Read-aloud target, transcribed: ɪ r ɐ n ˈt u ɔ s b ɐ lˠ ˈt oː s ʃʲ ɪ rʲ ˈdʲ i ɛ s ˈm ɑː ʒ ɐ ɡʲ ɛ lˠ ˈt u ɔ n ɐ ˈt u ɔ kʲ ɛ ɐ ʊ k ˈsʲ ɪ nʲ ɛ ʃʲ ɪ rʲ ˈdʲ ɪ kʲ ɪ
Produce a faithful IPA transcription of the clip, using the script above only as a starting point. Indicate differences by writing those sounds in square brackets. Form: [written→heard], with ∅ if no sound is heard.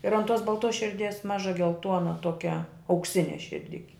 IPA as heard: ɪ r ɐ n ˈt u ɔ s b ɐ lˠ ˈt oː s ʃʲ ɪ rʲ ˈdʲ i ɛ s ˈm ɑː ʒ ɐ ɡʲ ɛ lˠ ˈt u ɔ n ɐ ˈt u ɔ kʲ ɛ ɐ ʊ k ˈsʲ ɪ nʲ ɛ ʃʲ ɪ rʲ ˈdʲ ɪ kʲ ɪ